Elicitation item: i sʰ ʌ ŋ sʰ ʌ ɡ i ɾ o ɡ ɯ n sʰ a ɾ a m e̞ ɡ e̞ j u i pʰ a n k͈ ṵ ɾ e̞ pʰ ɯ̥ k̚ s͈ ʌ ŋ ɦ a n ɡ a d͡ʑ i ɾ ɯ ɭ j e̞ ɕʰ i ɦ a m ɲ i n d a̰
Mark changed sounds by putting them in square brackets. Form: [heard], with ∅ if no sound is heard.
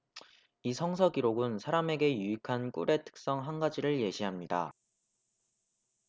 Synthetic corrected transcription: i sʰ ʌ ŋ sʰ ʌ ɡ i ɾ o ɡ ɯ n sʰ a ɾ a m e̞ ɡ e̞ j u i [kʰ] a n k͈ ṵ ɾ e̞ [tʰ] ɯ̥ k̚ s͈ ʌ ŋ ɦ a n ɡ a d͡ʑ i ɾ ɯ ɭ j e̞ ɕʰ i ɦ a m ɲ i [∅] d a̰